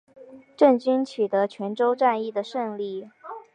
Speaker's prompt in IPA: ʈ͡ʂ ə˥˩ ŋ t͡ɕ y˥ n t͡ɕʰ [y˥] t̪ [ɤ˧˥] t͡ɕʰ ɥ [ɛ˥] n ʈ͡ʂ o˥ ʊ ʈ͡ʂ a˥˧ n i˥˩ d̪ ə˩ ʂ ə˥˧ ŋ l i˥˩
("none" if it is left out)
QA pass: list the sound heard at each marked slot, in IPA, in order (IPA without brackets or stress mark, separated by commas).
y˨˩, ɤ˧˥, ɛ˧˥